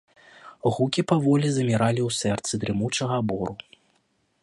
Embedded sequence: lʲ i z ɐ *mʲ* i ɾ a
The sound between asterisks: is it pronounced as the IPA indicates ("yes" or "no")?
yes